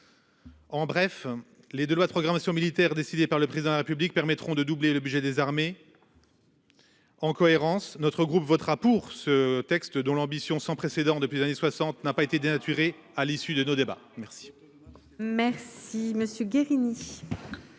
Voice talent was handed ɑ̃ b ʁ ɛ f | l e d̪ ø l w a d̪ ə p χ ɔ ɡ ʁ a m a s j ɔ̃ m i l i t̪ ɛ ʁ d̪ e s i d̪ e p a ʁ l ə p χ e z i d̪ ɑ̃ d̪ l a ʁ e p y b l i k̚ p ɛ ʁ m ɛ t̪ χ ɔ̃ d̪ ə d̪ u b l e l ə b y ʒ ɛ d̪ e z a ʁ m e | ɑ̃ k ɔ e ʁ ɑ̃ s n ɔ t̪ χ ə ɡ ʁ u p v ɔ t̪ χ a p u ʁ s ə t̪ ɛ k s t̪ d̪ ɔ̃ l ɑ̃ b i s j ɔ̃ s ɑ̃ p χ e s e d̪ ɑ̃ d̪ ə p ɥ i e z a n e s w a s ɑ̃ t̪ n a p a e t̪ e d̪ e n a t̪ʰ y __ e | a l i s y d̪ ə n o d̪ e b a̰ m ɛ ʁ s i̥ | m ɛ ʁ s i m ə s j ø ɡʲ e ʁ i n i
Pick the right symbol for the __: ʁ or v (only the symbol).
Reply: ʁ